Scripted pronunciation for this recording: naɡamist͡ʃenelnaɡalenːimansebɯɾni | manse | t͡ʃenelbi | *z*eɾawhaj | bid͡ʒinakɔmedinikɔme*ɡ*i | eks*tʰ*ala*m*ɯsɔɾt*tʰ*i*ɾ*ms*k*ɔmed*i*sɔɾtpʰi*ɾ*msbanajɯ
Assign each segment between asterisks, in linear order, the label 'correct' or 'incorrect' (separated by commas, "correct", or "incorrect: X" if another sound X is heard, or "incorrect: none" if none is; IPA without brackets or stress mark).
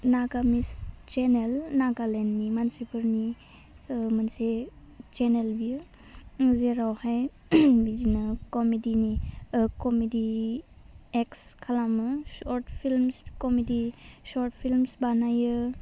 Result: correct, incorrect: d, incorrect: kʰ, correct, incorrect: pʰ, incorrect: l, correct, correct, incorrect: l